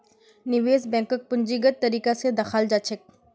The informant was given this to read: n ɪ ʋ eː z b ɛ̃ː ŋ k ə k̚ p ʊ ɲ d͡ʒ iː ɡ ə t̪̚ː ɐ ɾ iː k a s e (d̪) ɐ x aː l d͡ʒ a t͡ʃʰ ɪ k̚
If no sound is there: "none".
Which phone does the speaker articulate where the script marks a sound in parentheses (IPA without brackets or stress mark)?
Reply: d̪